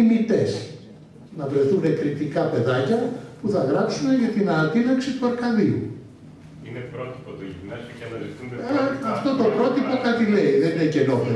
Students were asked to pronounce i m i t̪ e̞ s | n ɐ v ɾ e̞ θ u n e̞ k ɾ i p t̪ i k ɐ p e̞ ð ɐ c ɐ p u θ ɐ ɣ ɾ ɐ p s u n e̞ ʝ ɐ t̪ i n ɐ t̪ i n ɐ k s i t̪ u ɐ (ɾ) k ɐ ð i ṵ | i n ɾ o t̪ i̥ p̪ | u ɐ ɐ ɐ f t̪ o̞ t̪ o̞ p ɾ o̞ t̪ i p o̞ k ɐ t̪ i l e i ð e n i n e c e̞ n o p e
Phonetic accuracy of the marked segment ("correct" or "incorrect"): correct